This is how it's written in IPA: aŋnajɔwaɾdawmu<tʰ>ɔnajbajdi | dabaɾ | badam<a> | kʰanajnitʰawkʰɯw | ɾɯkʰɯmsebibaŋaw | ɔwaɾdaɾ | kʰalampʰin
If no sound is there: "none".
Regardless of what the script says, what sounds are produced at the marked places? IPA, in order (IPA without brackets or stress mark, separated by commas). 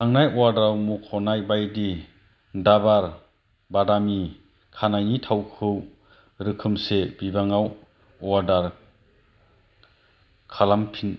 kʰ, i